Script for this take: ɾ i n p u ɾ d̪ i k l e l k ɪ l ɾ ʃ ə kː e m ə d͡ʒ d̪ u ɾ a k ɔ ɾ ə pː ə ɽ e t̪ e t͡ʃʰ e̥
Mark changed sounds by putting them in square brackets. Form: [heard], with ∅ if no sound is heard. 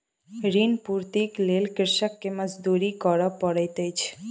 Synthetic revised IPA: ɾ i n p u ɾ [t̪] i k l e l k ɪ [∅] ɾ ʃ ə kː e m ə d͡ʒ d̪ u ɾ [i] k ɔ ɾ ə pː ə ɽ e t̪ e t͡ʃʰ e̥